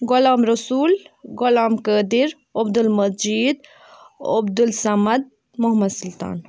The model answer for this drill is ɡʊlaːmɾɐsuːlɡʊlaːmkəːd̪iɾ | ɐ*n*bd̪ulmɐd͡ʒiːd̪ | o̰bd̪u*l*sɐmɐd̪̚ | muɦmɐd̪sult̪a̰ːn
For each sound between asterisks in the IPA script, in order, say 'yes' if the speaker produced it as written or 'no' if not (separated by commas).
no, yes